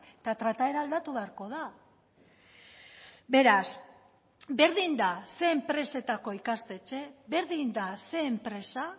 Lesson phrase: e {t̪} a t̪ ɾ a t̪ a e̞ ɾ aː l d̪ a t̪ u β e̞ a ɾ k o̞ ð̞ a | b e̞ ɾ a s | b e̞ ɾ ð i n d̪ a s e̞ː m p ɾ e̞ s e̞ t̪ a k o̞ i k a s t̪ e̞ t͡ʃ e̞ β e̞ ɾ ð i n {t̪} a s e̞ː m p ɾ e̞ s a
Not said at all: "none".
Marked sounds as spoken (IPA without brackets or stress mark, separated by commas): t̪, d̪